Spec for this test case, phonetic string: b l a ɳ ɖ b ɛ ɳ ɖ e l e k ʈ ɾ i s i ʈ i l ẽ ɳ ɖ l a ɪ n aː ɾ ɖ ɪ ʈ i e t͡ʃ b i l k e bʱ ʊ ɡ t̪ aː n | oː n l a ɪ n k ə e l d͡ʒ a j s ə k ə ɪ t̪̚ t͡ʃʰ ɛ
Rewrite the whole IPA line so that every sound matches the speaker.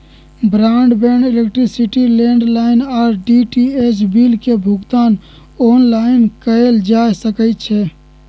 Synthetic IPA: b ɾ a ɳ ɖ b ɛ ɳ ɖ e l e k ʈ ɾ i s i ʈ i l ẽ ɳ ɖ l a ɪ n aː ɾ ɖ i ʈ i e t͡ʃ b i l k e bʱ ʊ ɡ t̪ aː n | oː n l a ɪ n k ə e l d͡ʒ a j s ə k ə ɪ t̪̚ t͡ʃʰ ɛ